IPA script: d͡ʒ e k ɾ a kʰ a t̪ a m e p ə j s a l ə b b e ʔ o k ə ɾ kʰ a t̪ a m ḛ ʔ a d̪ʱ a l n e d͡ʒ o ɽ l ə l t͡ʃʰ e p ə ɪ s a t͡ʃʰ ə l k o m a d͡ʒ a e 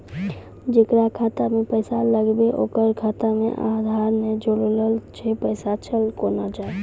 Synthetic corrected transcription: d͡ʒ e k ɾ a kʰ a t̪ a m e p ə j s a l ə ɡ b e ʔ o k ə ɾ kʰ a t̪ a m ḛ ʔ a d̪ʱ a ɾ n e d͡ʒ o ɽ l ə l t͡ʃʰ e p ə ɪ s a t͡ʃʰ ə l k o n a d͡ʒ a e